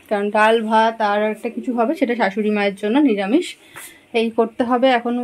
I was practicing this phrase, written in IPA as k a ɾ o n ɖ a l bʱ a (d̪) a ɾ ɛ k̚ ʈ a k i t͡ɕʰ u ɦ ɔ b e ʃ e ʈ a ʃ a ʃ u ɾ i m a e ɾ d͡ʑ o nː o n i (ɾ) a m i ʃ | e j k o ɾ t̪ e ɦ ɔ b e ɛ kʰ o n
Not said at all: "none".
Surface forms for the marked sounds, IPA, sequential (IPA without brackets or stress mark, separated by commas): t̪, ɾ